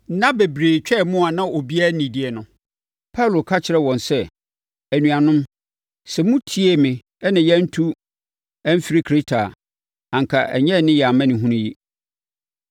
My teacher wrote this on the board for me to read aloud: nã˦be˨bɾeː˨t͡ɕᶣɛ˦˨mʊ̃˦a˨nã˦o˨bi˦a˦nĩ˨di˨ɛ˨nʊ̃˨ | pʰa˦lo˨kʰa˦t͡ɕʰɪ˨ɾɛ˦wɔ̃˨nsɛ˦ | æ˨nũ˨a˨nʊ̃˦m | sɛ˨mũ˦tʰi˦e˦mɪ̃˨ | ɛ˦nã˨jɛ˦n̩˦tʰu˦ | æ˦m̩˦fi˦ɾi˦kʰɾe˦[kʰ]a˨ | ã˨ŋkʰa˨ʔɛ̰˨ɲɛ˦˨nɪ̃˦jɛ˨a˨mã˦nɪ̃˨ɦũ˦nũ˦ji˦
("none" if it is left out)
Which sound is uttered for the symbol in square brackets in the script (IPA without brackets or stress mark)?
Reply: tʰ